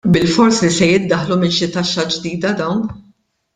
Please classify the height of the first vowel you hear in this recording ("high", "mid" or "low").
high